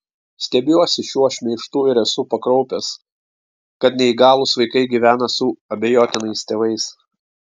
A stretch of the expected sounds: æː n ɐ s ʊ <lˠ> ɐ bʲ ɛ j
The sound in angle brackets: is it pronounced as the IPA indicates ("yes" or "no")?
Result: no